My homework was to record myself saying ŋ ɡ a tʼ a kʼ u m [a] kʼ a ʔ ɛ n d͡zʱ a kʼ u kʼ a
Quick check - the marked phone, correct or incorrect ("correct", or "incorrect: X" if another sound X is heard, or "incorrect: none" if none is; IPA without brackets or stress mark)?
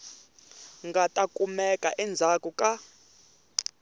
incorrect: ɛ